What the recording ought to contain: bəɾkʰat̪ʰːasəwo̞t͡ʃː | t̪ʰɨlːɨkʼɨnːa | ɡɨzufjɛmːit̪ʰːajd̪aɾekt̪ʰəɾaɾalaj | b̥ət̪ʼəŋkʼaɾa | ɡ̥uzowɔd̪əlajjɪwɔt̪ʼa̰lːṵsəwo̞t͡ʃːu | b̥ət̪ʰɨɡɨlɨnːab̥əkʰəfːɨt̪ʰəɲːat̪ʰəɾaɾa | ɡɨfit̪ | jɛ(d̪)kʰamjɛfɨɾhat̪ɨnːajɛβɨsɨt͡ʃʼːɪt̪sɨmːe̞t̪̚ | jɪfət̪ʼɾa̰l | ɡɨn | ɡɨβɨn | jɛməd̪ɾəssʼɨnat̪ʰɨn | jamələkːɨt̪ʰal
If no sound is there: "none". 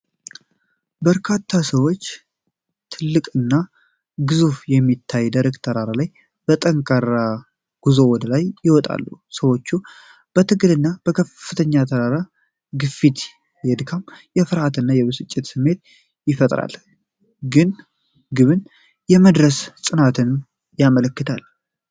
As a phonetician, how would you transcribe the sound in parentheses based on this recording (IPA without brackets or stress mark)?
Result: d̪